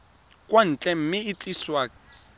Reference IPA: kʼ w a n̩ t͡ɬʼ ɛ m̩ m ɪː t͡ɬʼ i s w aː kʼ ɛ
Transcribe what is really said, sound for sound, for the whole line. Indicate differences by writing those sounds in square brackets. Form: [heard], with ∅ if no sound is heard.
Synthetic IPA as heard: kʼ w a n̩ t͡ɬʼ ɛ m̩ m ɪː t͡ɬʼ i s w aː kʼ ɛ